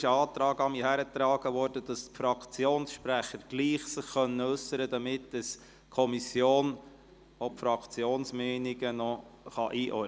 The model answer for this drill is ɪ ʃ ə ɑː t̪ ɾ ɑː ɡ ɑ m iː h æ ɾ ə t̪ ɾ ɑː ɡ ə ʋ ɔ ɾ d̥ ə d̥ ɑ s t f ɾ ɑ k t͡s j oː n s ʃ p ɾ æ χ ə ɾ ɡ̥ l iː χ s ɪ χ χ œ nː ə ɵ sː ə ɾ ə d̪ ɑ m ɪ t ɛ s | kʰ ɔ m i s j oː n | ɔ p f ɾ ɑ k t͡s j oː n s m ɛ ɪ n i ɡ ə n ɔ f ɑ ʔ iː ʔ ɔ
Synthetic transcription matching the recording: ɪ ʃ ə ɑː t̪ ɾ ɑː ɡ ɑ m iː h æ ɾ ə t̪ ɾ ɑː ɡ ə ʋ ɔ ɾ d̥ ə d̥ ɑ s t f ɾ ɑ k t͡s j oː n s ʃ p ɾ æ χ ə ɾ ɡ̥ l iː χ s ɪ χ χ œ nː ə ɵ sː ə ɾ ə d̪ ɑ m ɪ t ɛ s | kʰ ɔ m i s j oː n | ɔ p f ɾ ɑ k t͡s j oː n s m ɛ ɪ n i ɡ ə n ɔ χ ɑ ʔ iː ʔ ɔ